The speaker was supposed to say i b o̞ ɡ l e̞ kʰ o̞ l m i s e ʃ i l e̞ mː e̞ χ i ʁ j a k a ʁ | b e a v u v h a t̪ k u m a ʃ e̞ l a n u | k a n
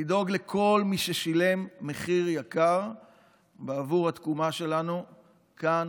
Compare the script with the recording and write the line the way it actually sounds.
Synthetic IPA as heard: i d o̞ ɡ l e̞ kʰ o̞ l m i ʃ e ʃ i l e̞ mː e̞ χ i ʁ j a k a ʁ | b e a v u ʁ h a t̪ k u m a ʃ e̞ l a n u | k a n